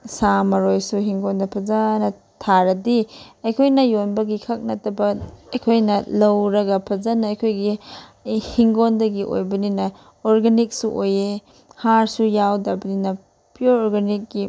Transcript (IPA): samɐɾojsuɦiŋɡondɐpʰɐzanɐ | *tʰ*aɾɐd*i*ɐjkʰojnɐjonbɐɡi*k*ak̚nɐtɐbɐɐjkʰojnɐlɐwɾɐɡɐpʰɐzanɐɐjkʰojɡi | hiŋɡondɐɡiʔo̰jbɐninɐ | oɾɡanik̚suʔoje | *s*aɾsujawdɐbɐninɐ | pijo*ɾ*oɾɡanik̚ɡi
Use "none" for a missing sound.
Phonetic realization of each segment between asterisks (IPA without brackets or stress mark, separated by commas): tʰ, i, kʰ, h, ɾ